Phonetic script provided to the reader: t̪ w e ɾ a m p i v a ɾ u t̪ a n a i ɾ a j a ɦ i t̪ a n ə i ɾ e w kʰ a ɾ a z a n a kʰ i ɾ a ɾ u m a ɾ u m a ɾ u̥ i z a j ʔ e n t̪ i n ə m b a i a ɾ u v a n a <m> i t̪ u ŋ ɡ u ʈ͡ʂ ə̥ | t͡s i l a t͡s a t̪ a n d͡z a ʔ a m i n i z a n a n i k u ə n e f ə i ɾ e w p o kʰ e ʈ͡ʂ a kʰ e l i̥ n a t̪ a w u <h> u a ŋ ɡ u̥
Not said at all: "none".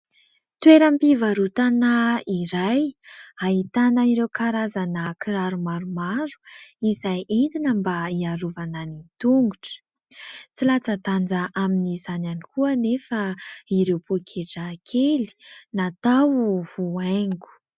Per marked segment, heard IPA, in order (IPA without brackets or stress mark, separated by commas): n, h